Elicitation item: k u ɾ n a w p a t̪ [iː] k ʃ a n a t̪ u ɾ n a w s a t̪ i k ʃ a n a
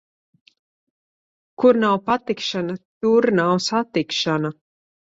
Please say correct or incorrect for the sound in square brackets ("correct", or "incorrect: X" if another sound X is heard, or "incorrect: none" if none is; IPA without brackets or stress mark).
incorrect: i